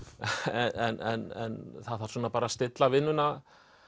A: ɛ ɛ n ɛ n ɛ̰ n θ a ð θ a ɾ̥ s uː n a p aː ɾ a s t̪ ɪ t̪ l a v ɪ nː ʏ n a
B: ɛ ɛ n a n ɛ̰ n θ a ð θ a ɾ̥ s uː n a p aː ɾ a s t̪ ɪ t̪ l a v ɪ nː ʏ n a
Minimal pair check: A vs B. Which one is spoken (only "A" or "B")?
A